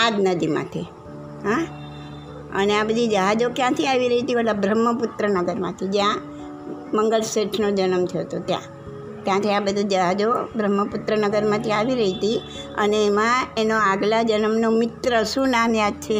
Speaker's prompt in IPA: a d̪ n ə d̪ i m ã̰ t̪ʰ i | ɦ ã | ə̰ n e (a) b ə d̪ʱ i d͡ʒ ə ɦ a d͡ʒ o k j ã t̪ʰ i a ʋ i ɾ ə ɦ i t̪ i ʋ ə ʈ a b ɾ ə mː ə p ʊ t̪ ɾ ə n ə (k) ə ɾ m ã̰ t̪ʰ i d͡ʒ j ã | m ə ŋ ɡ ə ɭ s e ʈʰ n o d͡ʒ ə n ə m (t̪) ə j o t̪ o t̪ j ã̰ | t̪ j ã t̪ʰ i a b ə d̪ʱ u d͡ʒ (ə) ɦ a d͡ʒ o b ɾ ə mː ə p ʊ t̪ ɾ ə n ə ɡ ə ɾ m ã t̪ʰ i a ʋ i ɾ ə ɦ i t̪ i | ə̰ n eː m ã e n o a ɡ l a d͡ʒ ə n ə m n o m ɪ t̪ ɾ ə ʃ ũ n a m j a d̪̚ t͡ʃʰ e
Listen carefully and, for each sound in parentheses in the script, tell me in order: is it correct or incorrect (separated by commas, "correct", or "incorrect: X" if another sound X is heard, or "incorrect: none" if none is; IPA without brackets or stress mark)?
correct, incorrect: ɡ, incorrect: t̪ʰ, correct